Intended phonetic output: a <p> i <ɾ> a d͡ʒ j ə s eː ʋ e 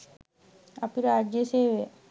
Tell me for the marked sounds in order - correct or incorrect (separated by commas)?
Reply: correct, correct